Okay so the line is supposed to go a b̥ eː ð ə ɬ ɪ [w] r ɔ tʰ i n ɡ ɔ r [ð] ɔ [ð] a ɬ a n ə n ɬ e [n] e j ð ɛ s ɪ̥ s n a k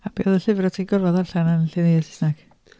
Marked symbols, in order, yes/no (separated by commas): no, no, yes, yes